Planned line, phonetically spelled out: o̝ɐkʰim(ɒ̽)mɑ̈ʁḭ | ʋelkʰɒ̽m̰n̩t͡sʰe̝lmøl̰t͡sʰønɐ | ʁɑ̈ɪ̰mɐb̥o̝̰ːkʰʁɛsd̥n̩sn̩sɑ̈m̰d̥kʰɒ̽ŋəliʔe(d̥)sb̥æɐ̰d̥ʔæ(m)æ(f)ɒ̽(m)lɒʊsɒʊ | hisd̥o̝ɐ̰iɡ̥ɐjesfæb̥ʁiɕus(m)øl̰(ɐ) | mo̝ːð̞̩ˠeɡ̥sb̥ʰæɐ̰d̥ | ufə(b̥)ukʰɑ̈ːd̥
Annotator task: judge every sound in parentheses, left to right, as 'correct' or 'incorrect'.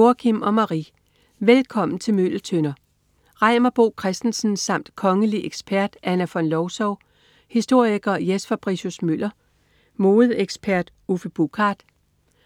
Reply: correct, incorrect: ɡ̥, incorrect: n, correct, incorrect: n, correct, correct, correct

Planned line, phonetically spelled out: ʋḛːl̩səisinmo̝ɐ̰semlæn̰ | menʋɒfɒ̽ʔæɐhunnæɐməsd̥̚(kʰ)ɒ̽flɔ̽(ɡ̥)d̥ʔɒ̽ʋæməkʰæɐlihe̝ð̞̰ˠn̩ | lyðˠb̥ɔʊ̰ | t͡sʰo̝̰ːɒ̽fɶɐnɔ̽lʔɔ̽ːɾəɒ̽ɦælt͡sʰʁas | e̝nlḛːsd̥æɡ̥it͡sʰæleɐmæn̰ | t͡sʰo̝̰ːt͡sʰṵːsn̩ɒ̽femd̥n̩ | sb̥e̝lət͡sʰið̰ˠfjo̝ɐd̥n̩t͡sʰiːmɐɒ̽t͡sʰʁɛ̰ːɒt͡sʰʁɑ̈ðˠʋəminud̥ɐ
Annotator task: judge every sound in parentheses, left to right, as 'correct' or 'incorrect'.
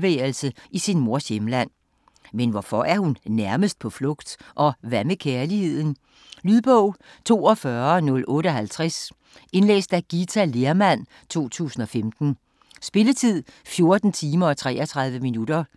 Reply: incorrect: pʰ, correct

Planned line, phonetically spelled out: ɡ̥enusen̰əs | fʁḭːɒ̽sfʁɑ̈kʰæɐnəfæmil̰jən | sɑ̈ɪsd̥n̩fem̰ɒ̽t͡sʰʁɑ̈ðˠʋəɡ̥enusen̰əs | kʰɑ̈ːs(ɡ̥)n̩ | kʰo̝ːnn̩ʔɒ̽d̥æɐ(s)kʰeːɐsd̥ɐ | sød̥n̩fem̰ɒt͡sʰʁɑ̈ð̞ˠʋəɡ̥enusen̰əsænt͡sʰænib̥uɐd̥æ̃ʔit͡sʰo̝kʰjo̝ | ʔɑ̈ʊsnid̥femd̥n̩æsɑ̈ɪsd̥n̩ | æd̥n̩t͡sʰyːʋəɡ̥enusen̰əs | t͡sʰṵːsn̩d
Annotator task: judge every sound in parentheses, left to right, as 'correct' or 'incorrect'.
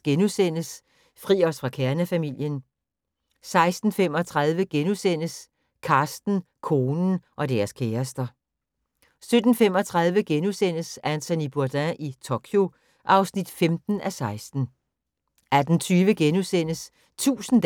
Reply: incorrect: d̥, correct

